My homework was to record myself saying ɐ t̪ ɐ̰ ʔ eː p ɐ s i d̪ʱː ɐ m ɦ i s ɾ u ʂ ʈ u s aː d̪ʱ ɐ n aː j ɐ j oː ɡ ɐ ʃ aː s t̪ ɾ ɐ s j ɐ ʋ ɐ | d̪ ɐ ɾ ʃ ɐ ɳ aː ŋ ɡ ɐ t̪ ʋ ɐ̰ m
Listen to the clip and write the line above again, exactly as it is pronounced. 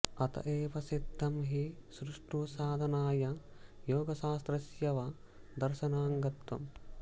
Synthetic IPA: ɐ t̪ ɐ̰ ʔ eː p ɐ s i d̪ʱː ɐ m ɦ i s ɾ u ʂ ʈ u s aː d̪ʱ ɐ n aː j ɐ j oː ɡ ɐ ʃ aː s t̪ ɾ ɐ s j ɐ ʋ ɐ | d̪ ɐ ɾ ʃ ɐ n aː ŋ ɡ ɐ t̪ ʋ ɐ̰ m